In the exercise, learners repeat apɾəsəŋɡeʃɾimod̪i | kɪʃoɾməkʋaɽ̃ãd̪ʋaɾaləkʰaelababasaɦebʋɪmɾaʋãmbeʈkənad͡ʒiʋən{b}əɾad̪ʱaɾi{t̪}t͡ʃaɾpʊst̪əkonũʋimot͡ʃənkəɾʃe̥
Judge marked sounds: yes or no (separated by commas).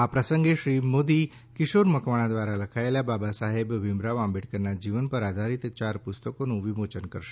no, yes